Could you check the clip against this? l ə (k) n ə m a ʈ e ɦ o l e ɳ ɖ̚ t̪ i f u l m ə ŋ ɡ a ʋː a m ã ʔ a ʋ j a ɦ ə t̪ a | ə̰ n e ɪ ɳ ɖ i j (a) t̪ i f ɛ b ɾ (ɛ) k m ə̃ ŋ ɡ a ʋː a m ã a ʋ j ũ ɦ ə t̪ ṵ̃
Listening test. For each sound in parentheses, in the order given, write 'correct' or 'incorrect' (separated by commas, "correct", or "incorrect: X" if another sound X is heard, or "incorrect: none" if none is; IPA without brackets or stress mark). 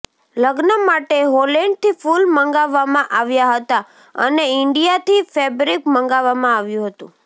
incorrect: ɡ, correct, incorrect: i